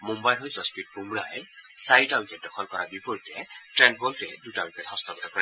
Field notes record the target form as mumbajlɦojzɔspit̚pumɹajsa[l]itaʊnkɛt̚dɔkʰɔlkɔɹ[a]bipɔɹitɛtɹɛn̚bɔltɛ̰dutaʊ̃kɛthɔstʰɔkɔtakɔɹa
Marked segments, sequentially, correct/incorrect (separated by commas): incorrect, correct